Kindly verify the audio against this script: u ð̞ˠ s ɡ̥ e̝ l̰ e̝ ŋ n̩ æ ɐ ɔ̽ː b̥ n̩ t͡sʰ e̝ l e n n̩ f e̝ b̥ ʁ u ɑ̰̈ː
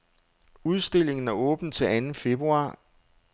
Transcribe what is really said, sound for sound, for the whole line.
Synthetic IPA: u ð̞ˠ s d̥ e̝ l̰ e̝ ŋ n̩ æ ɐ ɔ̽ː b̥ n̩ t͡sʰ e̝ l æ n n̩ f e̝ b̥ ʁ u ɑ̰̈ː